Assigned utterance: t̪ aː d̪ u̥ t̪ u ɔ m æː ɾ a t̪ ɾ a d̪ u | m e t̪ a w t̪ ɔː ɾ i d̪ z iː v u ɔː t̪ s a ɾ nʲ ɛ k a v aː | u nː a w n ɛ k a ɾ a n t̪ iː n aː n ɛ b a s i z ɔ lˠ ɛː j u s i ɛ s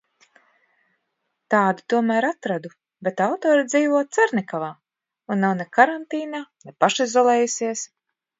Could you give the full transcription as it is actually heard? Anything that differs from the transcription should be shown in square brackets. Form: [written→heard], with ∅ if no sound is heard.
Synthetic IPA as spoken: t̪ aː d̪ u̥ t̪ u ɔ m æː ɾ a t̪ ɾ a d̪ u | [m→b] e t̪ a w t̪ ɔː ɾ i d̪ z iː v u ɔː t̪ s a ɾ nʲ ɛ k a v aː | u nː a w n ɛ k a ɾ a n t̪ iː n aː n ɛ [b→p] a [s→ʃ] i z ɔ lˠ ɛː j u s i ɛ s